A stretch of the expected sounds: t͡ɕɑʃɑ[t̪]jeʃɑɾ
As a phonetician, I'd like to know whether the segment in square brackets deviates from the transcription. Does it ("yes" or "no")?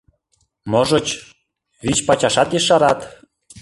no